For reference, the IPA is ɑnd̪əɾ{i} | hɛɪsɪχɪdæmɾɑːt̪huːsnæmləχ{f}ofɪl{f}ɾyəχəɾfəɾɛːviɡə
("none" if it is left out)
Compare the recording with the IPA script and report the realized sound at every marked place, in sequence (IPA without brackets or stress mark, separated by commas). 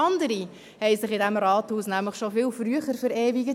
i, ʃ, f